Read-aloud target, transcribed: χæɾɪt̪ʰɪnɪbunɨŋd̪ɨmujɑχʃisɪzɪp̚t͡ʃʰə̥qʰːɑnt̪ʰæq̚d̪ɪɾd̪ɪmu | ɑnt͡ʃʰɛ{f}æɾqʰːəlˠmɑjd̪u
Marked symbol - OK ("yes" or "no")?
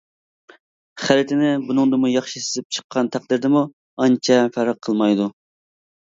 yes